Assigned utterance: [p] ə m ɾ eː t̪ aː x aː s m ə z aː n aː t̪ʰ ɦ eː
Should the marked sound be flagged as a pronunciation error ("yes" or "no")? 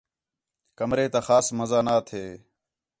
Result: yes